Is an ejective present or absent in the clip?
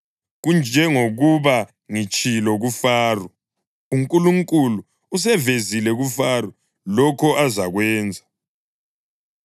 present